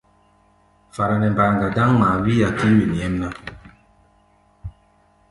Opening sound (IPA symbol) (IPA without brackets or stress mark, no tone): f